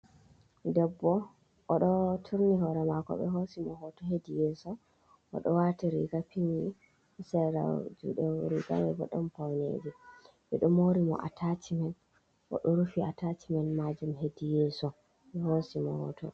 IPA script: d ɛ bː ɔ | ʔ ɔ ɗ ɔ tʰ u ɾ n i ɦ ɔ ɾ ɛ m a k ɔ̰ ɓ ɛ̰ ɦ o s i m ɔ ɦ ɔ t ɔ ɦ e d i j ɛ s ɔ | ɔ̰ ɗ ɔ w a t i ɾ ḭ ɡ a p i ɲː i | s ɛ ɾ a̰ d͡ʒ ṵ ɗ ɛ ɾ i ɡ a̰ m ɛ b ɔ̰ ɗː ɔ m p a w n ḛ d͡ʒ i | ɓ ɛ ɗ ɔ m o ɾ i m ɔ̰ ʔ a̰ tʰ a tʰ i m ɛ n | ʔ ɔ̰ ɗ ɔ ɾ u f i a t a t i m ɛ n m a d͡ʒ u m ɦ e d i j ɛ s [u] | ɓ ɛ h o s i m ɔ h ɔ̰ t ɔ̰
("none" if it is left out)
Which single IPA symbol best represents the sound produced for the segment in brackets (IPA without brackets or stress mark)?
ɔ